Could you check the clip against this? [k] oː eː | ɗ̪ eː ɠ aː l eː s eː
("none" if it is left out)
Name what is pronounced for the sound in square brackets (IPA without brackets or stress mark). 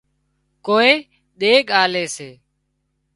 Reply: k